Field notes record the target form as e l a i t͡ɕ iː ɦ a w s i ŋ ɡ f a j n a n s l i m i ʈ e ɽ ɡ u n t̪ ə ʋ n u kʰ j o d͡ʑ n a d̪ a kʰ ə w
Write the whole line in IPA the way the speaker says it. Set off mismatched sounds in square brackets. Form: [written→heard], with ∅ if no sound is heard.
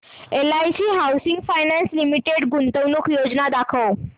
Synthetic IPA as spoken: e l a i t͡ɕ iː ɦ a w s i ŋ ɡ f a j n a n s l i m i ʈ e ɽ ɡ u n t̪ ə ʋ n u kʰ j o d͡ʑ n a d̪ a kʰ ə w